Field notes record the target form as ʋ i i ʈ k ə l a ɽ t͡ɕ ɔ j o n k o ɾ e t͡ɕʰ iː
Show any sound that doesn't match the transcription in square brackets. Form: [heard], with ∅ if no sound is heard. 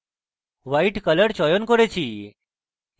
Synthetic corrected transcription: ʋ [a] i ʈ k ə l [ə] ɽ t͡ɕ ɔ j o n k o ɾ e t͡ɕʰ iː